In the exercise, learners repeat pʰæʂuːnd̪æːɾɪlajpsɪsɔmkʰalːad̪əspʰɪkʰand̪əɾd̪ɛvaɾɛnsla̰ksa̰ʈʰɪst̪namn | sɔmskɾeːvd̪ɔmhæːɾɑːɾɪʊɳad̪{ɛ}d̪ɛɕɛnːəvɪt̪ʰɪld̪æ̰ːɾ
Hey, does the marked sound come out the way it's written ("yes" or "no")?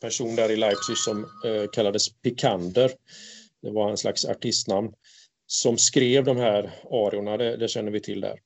yes